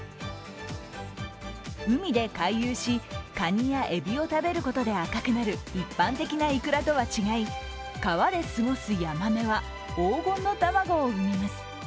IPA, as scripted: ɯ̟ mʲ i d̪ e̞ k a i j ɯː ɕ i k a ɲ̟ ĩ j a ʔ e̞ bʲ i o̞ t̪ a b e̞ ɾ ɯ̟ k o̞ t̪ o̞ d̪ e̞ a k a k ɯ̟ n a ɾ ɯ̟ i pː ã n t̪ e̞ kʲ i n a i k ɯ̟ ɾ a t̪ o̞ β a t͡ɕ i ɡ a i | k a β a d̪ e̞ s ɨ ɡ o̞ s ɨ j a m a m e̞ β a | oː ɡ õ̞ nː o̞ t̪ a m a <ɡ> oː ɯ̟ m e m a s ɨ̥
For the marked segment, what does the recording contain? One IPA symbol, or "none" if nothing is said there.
ɡ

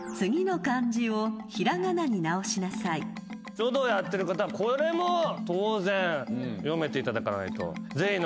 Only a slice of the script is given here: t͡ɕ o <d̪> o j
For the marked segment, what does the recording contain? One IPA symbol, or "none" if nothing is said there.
d̪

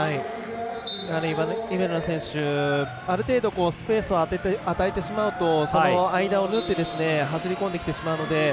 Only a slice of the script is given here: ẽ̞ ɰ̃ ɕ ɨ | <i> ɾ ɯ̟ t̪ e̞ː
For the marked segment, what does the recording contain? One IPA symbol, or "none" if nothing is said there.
a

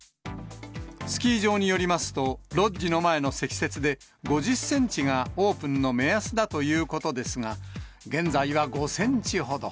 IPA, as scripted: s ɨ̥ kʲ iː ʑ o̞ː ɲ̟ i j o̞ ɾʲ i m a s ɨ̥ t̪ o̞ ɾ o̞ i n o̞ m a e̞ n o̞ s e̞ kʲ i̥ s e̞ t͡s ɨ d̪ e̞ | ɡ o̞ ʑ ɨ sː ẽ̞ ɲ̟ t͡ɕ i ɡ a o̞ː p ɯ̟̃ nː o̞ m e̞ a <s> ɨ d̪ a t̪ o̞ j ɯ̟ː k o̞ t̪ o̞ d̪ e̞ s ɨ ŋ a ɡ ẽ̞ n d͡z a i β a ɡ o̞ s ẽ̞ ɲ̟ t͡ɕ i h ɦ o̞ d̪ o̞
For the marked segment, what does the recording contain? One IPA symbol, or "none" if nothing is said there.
s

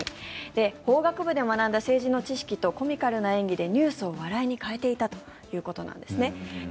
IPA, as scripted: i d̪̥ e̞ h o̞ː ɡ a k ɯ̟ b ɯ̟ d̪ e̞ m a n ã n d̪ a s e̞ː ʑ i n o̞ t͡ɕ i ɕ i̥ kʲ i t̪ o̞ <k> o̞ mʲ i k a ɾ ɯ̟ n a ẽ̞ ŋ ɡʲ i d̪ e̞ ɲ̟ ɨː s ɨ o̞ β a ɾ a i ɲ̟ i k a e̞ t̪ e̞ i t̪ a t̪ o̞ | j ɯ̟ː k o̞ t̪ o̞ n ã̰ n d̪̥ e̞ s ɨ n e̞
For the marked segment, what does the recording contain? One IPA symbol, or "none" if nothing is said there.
k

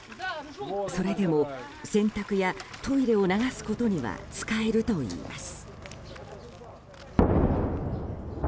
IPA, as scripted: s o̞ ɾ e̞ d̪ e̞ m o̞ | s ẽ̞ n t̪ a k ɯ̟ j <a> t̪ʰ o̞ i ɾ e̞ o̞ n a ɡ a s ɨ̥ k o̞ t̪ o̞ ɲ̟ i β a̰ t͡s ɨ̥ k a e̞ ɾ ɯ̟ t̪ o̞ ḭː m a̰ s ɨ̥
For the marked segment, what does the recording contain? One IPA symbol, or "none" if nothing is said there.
a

